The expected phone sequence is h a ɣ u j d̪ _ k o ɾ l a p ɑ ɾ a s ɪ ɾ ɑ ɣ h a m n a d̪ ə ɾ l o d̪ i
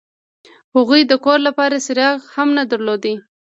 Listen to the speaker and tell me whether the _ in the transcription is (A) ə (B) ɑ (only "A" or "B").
A